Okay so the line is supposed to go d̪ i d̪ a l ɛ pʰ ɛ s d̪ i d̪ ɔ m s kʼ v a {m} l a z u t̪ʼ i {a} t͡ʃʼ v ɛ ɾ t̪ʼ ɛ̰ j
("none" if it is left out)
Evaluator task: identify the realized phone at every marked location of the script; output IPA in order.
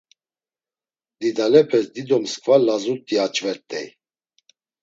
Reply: none, a

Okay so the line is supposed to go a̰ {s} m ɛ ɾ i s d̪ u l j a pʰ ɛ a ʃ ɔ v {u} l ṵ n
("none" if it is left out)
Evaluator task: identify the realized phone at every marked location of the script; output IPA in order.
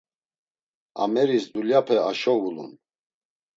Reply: none, u

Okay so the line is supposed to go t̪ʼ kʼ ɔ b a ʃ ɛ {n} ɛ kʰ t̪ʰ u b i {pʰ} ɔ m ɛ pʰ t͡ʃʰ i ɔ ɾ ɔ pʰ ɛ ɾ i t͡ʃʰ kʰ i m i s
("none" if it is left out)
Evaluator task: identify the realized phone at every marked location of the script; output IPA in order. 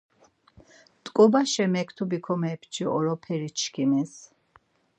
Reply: m, kʰ

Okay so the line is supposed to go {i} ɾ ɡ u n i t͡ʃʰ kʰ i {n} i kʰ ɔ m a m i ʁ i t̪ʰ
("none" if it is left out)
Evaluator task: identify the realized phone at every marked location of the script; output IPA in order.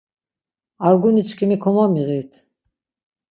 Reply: a, m

